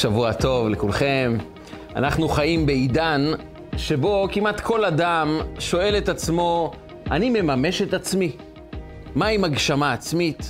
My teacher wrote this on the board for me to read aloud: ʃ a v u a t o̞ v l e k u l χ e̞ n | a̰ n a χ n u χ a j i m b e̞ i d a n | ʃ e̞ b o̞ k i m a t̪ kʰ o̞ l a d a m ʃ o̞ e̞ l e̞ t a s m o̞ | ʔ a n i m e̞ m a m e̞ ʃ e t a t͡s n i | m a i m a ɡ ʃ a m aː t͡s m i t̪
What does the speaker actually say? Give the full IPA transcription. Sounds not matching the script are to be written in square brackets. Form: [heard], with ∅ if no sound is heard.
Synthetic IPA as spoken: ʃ a v u a t o̞ v l e k u l χ e̞ [m] | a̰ n a χ n u χ a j i m b e̞ i d a n | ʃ e̞ b o̞ k i m a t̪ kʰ o̞ l a d a m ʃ o̞ e̞ l e̞ t a [t͡s] m o̞ | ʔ a n i m e̞ m a m e̞ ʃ e t a t͡s [m] i | m a i m a ɡ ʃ a m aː t͡s m i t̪